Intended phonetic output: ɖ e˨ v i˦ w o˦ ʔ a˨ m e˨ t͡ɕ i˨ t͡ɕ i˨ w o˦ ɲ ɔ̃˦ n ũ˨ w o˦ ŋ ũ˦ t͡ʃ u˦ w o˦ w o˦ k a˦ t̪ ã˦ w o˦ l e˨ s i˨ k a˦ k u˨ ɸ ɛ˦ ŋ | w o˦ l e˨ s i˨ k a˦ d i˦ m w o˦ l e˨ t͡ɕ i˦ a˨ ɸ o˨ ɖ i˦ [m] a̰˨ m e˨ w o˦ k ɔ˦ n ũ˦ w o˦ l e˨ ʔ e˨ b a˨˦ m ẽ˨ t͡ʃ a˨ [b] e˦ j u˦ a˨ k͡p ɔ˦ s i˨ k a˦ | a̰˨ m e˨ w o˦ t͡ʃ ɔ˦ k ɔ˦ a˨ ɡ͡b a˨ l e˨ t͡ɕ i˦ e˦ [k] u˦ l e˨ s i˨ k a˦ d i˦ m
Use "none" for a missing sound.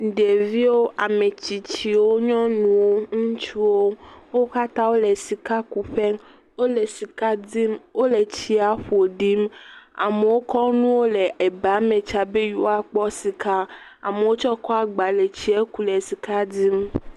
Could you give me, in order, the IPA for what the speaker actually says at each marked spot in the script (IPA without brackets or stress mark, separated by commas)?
m, b, k